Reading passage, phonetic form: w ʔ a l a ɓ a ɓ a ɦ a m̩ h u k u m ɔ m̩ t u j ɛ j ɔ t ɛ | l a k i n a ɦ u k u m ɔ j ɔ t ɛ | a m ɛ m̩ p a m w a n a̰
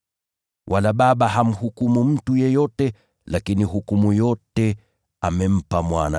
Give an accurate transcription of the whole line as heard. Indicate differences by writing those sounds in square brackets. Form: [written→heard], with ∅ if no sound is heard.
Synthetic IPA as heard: w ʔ a l a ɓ a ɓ a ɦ a m̩ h u k u m [ɔ→u] m̩ t u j ɛ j ɔ t ɛ | l a k i n [a→i] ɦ u k u m [ɔ→u] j ɔ t ɛ | a m ɛ m̩ p a m w a n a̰